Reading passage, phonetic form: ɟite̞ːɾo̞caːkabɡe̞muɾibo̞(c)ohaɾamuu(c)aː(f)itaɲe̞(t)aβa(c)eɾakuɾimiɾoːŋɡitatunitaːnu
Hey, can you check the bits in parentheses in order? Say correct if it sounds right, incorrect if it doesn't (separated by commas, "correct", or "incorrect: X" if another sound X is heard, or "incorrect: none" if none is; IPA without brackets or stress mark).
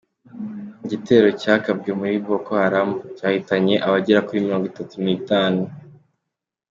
incorrect: k, correct, incorrect: h, incorrect: ʔ, incorrect: ɟ